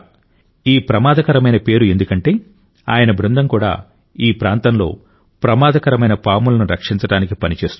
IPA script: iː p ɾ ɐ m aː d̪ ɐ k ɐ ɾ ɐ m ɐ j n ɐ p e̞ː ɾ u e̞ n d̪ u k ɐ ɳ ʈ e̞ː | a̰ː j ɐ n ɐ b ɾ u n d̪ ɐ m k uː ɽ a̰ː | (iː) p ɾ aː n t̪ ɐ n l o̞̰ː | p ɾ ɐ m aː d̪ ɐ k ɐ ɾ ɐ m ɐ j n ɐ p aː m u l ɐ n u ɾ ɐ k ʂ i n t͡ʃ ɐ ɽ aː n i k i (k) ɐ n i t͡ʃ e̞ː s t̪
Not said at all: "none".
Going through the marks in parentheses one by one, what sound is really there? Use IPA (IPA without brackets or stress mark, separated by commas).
iː, p